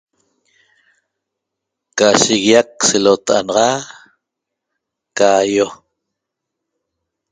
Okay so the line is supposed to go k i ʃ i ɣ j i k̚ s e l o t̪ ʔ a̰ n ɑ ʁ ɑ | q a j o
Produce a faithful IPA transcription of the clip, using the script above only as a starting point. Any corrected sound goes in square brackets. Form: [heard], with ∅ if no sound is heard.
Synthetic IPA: k [a] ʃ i ɣ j [a] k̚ s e l o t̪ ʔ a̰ n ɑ ʁ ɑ | [k] a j o